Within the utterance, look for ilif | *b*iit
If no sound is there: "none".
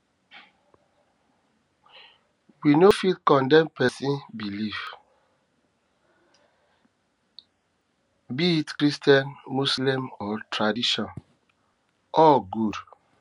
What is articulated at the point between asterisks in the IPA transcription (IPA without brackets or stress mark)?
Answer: b